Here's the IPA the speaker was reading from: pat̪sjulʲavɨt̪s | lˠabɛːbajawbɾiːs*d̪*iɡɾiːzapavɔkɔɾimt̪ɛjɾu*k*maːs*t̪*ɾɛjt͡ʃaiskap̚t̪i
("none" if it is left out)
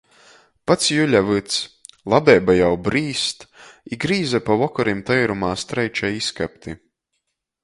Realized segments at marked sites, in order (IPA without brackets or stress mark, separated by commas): t̪, none, t̪